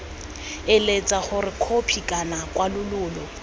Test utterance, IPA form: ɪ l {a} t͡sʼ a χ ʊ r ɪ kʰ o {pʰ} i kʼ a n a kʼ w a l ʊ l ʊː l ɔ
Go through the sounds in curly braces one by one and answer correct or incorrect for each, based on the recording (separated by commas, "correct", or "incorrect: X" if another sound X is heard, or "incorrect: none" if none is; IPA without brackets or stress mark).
incorrect: e, correct